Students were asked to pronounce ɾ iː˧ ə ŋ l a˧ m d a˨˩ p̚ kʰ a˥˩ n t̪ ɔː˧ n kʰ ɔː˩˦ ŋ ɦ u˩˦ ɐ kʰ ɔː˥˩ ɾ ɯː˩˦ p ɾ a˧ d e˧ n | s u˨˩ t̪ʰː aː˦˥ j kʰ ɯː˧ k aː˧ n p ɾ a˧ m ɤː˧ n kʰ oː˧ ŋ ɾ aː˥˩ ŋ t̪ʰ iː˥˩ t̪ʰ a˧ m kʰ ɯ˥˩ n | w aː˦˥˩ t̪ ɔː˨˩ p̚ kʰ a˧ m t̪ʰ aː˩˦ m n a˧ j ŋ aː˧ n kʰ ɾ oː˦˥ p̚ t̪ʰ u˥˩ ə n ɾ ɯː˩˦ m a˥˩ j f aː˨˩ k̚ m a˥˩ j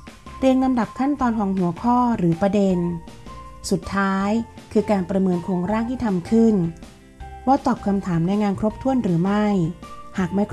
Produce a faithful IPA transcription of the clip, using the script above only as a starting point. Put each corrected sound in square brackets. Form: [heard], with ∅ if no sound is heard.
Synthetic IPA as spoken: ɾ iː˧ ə ŋ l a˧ m d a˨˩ p̚ kʰ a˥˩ n t̪ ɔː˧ n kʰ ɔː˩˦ ŋ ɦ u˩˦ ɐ kʰ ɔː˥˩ ɾ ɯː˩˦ p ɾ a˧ d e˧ n | s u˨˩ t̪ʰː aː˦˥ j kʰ ɯː˧ k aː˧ n p ɾ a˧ m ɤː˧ n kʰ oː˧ ŋ ɾ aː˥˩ ŋ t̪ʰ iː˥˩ t̪ʰ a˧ m kʰ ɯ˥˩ n | w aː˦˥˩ t̪ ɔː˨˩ p̚ kʰ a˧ m t̪ʰ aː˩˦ m n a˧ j ŋ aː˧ n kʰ ɾ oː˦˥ p̚ t̪ʰ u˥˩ ə n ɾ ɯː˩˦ m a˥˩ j [h] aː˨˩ k̚ m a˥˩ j